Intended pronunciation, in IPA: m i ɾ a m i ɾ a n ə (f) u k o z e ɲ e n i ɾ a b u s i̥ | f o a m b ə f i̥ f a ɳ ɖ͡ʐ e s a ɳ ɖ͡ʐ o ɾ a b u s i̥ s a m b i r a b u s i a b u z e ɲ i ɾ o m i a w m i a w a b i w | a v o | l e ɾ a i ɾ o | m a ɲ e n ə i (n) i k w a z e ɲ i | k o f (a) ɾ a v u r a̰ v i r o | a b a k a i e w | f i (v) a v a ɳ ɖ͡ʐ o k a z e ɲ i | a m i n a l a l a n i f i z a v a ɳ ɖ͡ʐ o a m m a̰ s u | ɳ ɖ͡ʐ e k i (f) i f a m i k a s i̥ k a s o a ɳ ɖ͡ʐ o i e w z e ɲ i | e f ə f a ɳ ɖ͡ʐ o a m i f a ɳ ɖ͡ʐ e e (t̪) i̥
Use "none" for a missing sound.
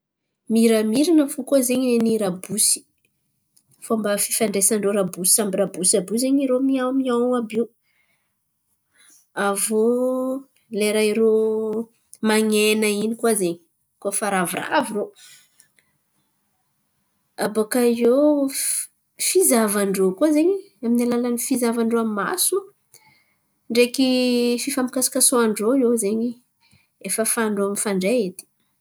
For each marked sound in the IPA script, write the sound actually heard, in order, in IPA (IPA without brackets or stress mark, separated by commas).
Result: f, n, a, z, f, t̪